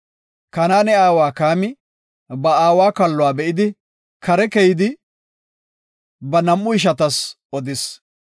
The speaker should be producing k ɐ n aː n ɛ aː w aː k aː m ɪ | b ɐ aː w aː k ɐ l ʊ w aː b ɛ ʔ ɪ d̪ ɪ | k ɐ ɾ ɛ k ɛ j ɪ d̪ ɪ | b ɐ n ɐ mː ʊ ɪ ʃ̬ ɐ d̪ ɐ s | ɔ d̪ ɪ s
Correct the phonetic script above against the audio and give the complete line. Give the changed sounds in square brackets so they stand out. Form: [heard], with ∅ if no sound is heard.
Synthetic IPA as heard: k ɐ n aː n ɛ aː w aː k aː m ɪ | b ɐ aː w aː k ɐ [lː] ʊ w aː b ɛ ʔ ɪ d̪ ɪ | k ɐ ɾ ɛ k ɛ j ɪ d̪ ɪ | b ɐ n ɐ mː ʊ ɪ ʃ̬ ɐ [t̪] ɐ s | ɔ d̪ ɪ s

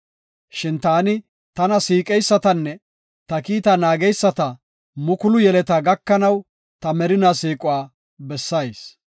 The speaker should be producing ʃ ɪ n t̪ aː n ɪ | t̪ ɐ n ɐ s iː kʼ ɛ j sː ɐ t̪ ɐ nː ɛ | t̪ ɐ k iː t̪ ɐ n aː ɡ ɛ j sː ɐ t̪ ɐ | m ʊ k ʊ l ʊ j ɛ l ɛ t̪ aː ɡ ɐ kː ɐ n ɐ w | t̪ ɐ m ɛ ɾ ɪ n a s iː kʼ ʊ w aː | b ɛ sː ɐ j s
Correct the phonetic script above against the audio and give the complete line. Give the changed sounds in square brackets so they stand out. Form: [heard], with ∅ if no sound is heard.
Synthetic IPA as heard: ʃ ɪ n t̪ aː n ɪ | t̪ ɐ n ɐ s iː kʼ ɛ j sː ɐ t̪ ɐ nː ɛ | t̪ ɐ k iː t̪ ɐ n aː ɡ ɛ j sː ɐ t̪ ɐ | m ʊ k ʊ l ʊ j ɛ l ɛ t̪ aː ɡ ɐ kː ɐ n ɐ w | t̪ ɐ m ɛ ɾ ɪ n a s iː kʼ ʊ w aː | b ɛ sː ɐ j s

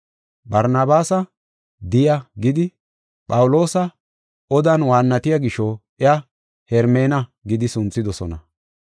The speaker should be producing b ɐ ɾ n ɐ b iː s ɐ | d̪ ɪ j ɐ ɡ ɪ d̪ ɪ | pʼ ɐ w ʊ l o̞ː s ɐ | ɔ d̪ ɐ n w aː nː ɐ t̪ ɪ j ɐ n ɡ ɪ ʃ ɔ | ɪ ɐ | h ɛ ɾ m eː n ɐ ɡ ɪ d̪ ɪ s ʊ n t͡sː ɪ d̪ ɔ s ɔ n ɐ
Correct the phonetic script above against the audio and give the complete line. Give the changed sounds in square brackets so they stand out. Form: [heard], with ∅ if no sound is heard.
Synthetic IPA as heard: b ɐ ɾ n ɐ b [aː] s ɐ | d̪ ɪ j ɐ ɡ ɪ d̪ ɪ | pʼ ɐ w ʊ l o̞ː s ɐ | ɔ d̪ ɐ n w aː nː ɐ t̪ ɪ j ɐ [∅] ɡ ɪ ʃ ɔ | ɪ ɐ | h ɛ ɾ m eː n ɐ ɡ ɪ d̪ ɪ s ʊ n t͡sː ɪ d̪ ɔ s ɔ n ɐ

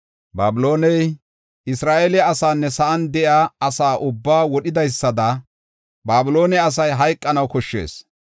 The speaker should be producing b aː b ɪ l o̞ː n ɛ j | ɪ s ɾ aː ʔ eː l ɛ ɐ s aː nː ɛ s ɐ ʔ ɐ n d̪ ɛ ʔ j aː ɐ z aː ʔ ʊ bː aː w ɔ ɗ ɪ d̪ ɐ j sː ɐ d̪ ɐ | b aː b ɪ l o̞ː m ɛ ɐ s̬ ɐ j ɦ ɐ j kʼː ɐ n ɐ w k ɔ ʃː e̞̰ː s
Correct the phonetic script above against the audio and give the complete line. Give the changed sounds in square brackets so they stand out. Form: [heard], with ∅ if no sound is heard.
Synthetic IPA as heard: b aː b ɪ l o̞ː n ɛ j | ɪ s ɾ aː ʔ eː l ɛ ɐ s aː nː ɛ s ɐ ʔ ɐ n d̪ ɛ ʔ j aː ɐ [s] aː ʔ ʊ bː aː w ɔ ɗ ɪ d̪ ɐ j sː ɐ d̪ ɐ | b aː b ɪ l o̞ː [n] ɛ ɐ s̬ ɐ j ɦ ɐ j kʼː ɐ n ɐ w k ɔ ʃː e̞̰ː s

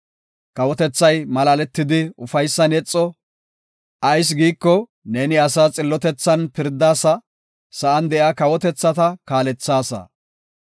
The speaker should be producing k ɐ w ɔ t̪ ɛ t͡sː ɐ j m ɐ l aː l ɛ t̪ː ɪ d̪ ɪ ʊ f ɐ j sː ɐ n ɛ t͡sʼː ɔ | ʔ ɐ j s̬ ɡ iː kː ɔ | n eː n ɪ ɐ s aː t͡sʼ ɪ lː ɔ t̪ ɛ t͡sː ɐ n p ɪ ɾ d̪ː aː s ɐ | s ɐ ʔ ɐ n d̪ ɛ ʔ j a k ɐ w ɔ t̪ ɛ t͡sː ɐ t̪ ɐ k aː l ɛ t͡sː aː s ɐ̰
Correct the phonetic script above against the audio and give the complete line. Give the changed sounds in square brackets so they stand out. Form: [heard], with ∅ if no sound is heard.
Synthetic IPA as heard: k ɐ w ɔ t̪ ɛ t͡sː ɐ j m ɐ l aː l ɛ t̪ː ɪ d̪ ɪ ʊ f ɐ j sː ɐ n ɛ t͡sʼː ɔ | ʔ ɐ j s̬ ɡ iː kː ɔ | n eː n ɪ ɐ s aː t͡sʼ ɪ lː ɔ t̪ ɛ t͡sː ɐ n p ɪ ɾ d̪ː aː s ɐ | s ɐ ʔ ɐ n d̪ ɛ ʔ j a k ɐ w ɔ t̪ ɛ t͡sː ɐ t̪ ɐ k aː l ɛ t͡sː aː s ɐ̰

